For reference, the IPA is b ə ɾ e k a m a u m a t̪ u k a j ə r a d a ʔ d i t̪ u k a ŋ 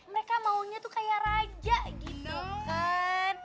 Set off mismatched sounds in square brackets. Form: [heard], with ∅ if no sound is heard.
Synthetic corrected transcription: [m] ə ɾ e k a m a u [ɲ] a t̪ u k a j [a] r a [d͡ʒ] a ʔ [ɡ] i t̪ u k a [n]